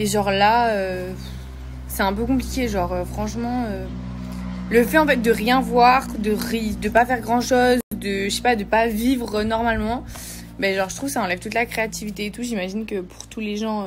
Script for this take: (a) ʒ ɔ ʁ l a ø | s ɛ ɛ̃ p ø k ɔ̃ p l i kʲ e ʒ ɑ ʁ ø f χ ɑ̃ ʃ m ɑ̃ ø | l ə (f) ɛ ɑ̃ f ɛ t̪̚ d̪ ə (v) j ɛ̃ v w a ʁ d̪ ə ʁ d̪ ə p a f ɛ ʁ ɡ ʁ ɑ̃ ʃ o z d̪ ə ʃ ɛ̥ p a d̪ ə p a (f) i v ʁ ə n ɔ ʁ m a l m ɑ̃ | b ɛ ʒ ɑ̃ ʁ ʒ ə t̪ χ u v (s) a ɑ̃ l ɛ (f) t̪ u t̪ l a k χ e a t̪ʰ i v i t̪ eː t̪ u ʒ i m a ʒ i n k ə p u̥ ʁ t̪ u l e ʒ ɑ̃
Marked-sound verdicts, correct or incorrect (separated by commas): incorrect, correct, incorrect, incorrect, correct, incorrect